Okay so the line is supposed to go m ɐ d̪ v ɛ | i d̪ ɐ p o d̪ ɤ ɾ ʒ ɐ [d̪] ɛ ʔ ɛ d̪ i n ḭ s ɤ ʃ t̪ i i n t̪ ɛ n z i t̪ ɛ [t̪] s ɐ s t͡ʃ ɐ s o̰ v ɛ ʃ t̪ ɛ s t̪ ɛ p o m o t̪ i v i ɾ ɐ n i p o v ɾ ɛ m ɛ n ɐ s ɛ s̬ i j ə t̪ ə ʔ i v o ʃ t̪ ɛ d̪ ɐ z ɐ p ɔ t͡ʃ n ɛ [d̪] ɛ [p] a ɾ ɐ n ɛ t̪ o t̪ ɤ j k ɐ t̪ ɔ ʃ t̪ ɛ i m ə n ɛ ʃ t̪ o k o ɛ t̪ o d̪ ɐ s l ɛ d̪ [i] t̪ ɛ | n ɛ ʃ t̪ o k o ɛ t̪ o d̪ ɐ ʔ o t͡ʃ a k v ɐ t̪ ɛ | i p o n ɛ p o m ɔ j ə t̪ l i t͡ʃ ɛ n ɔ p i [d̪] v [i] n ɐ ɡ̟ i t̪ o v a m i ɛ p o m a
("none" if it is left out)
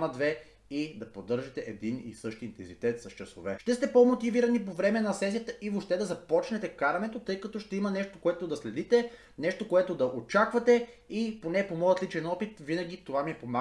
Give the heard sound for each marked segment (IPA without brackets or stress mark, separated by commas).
t̪, t̪, t̪, k, i, t̪, i